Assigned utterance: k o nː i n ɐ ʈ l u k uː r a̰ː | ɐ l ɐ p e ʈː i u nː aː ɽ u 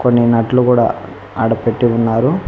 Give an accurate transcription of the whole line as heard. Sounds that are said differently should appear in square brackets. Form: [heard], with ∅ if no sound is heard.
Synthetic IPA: k o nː i n ɐ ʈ l u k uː [ɽ] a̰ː | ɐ [ɽ] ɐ p e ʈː i u nː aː [ɾ] u